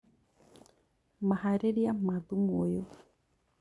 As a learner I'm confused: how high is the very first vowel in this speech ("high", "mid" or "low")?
low